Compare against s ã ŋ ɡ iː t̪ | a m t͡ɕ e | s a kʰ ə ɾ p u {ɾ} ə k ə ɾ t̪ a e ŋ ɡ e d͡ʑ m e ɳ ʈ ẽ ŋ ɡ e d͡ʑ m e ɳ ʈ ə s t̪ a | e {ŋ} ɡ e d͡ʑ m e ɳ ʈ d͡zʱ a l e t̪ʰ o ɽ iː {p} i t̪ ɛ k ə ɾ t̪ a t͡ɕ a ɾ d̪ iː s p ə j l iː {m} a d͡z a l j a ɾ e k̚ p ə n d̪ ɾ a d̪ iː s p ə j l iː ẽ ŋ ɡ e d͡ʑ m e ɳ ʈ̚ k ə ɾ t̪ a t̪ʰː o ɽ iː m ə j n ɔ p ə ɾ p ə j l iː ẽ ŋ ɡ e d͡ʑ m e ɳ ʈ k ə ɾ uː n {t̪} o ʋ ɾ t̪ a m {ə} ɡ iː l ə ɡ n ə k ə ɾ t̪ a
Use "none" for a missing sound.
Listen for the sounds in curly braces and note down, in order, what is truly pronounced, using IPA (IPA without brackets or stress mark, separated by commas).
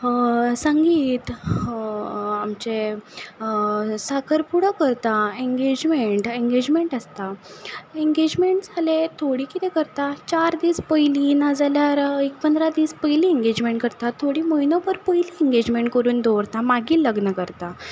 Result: ɽ, ŋ, k, n, d̪, a